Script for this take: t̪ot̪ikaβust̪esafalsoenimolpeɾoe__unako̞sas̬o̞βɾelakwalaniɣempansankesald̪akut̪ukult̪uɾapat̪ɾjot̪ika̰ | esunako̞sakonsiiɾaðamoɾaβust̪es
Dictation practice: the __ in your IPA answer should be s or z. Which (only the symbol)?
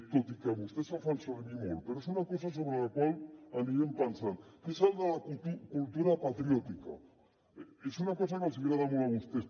s